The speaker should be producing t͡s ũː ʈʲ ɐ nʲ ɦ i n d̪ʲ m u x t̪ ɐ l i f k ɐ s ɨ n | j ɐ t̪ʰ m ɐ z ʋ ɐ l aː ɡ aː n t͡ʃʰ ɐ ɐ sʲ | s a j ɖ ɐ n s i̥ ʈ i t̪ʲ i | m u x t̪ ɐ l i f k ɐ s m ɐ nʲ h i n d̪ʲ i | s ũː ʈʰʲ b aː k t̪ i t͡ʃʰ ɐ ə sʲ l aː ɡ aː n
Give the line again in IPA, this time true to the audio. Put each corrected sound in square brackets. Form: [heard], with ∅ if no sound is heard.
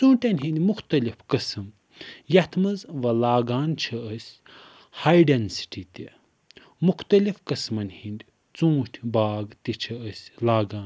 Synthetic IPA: t͡s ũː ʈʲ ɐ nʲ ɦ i n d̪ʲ m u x t̪ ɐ l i f k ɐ s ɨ [m] | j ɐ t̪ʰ m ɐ z ʋ ɐ l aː ɡ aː n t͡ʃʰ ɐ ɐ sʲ | [h] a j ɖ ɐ n s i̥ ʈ i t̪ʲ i | m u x t̪ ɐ l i f k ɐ s m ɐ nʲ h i n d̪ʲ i | [t͡s] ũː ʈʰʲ b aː [ɡ] t̪ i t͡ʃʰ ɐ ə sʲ l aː ɡ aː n